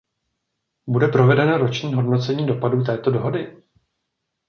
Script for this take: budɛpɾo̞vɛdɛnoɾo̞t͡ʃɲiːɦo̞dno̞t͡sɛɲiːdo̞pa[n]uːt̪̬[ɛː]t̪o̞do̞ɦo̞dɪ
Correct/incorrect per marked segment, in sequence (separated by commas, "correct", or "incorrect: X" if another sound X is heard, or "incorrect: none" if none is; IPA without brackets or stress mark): incorrect: d, correct